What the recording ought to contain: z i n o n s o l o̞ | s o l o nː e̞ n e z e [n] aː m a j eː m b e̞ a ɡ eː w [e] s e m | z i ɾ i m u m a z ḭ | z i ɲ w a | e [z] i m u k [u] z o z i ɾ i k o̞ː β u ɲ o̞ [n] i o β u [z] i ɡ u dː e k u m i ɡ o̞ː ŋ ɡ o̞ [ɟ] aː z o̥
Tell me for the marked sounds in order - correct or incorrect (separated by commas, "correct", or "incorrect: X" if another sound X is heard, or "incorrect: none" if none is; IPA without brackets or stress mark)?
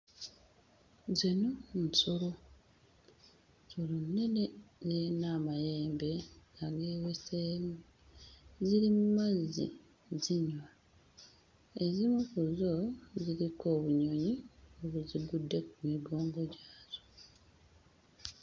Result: correct, correct, correct, correct, incorrect: ɲ, correct, correct